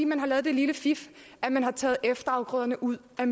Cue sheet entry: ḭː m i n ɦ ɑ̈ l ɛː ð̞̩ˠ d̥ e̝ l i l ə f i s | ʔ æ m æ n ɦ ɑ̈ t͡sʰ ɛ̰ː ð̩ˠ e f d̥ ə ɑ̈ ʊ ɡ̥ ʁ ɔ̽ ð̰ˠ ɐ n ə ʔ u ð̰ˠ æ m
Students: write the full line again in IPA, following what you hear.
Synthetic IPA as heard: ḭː m æ n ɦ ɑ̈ l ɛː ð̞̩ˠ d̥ e̝ l i l ə f i f | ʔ æ m æ n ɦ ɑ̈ t͡sʰ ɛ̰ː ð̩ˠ e f d̥ ɐ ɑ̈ ʊ ɡ̥ ʁ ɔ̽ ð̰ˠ ɐ n ə ʔ u ð̰ˠ æ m